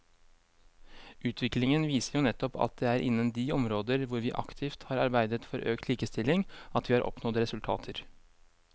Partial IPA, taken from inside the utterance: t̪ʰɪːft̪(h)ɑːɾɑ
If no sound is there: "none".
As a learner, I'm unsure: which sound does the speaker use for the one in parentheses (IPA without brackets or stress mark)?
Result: h